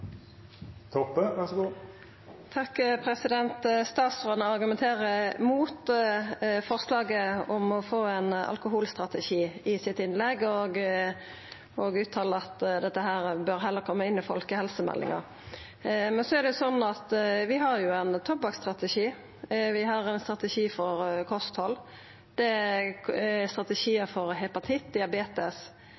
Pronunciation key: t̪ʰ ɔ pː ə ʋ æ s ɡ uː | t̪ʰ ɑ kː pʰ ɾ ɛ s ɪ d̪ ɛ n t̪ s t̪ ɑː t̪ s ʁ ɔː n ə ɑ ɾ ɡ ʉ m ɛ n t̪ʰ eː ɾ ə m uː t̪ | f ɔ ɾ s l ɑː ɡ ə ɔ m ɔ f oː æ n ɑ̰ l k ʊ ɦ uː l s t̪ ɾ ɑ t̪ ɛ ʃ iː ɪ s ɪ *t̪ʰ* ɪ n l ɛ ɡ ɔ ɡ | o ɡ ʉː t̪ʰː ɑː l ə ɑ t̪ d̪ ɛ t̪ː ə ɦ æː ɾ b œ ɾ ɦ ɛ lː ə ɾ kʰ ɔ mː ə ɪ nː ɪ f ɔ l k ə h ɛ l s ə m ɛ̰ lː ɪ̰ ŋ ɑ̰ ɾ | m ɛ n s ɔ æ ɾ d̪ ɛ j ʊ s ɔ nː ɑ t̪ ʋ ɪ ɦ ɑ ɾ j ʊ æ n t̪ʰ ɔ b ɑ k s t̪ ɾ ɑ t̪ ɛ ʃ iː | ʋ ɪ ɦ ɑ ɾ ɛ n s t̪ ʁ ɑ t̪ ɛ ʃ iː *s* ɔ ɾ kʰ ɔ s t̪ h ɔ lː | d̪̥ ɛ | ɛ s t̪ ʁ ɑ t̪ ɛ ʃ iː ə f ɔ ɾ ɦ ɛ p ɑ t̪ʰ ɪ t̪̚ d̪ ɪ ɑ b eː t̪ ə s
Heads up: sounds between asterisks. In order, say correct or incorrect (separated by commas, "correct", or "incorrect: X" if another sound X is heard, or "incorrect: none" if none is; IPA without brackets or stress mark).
incorrect: t̪, incorrect: f